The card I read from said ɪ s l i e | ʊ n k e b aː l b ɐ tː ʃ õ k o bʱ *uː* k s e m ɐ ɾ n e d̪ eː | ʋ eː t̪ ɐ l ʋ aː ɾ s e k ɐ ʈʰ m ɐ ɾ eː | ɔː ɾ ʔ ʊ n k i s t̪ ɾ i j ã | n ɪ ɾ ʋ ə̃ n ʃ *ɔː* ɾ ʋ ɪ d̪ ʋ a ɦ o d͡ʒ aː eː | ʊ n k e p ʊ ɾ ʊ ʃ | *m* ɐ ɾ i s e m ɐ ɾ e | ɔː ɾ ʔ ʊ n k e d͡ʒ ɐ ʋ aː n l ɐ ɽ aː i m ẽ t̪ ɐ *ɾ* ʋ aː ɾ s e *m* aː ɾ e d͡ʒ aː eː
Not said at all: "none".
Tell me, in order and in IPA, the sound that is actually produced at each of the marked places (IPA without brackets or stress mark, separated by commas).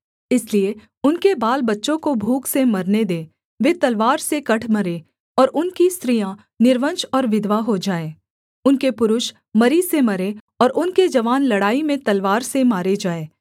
uː, ɔː, m, l, m